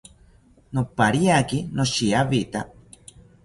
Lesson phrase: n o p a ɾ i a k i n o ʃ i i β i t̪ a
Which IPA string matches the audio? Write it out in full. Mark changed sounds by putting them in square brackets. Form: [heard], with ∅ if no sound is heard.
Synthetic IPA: n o p a ɾ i a k i n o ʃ i [a] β i t̪ a